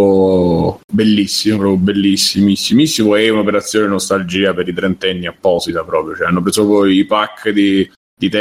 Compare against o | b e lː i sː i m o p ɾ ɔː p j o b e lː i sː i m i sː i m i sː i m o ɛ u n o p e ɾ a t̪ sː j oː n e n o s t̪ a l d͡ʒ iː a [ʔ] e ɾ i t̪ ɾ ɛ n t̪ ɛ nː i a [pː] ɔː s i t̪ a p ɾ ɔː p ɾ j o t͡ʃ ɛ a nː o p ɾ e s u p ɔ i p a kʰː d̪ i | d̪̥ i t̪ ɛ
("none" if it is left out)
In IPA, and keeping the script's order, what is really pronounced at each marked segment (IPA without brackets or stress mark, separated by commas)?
p, pː